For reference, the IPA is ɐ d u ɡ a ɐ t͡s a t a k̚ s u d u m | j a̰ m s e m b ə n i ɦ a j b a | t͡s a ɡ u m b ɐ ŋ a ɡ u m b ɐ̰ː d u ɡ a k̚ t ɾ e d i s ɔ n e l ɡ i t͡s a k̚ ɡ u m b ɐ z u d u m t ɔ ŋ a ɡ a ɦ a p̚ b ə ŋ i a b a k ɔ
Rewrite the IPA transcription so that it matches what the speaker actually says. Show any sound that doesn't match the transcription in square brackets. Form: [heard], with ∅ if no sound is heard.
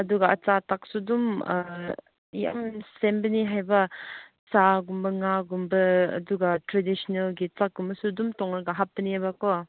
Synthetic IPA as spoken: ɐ d u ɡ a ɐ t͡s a t a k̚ s u d u m | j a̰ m s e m b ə n i ɦ a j b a | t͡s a ɡ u m b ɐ ŋ a ɡ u m b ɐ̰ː d u ɡ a [∅] t ɾ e d i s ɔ n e l ɡ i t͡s a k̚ ɡ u m b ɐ [s] u d u m t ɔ ŋ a ɡ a ɦ a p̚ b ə [n] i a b a k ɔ